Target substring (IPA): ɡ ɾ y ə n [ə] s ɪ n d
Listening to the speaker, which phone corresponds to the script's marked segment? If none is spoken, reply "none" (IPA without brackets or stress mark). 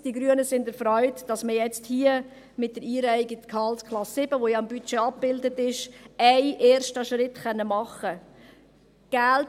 ə